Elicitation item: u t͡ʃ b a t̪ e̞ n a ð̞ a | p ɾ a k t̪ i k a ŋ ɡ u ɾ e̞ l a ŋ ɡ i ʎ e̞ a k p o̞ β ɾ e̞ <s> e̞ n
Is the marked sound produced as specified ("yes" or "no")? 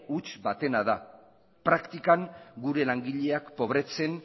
no